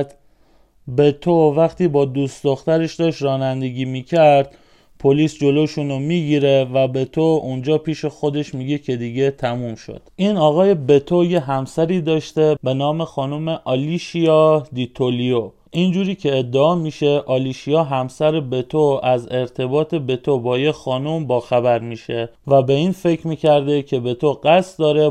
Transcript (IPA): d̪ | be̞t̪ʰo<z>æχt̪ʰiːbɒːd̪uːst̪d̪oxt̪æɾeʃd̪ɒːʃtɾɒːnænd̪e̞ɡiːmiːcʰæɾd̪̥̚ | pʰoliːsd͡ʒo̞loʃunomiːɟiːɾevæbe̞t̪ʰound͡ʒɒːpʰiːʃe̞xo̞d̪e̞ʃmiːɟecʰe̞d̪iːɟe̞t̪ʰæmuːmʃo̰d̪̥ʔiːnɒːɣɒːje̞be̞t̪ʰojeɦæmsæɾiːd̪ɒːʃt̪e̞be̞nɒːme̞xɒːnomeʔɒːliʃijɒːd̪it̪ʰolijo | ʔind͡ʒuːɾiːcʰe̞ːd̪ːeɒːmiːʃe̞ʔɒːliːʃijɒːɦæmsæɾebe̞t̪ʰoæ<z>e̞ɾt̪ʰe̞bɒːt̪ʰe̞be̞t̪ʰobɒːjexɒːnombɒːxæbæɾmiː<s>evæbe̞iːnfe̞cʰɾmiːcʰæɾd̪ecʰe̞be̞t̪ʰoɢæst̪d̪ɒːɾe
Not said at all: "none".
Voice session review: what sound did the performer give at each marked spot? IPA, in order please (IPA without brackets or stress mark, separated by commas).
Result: v, z, ʃ